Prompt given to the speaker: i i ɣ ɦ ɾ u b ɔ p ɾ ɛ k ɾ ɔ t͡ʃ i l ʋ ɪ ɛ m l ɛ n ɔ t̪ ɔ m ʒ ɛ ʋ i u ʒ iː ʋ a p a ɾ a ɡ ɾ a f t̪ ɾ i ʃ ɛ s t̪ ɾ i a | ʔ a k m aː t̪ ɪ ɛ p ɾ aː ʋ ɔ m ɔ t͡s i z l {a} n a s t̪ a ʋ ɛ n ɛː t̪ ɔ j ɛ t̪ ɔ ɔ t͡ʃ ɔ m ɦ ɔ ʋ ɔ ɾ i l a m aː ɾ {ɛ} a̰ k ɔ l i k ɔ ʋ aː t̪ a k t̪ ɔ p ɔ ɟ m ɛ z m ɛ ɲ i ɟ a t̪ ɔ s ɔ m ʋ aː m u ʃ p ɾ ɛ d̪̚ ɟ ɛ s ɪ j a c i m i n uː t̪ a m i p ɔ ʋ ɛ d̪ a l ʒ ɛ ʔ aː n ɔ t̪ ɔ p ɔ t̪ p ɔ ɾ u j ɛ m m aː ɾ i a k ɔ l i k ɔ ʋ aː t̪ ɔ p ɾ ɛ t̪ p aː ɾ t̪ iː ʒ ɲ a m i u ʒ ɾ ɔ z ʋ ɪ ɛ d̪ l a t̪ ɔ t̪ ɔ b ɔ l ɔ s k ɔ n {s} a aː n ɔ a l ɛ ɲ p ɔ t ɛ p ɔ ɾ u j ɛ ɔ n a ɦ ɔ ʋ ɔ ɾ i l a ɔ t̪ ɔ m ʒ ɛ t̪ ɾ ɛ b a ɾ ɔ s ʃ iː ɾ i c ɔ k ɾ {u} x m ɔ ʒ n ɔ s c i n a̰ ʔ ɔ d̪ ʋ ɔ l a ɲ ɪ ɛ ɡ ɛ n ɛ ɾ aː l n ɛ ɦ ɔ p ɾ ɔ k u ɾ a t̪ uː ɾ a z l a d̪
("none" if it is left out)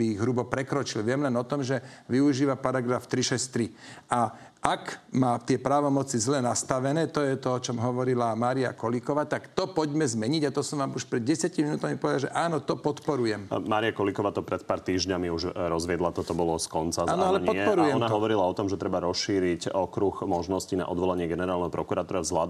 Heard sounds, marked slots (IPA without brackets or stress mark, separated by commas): ɛ, i, t͡s, u